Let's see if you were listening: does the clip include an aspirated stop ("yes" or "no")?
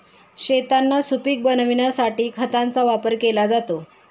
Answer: yes